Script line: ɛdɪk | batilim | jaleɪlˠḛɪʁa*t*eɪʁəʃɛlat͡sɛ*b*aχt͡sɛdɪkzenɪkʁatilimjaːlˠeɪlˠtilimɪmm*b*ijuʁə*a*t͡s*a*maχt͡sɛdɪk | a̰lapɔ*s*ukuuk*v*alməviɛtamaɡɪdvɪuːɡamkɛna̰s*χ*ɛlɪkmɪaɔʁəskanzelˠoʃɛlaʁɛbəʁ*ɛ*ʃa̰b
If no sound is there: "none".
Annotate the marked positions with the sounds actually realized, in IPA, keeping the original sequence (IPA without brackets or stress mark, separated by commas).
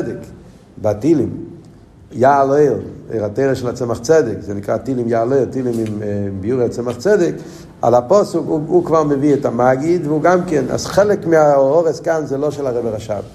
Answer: t, m, b, a, ɛ, s, v, χ, a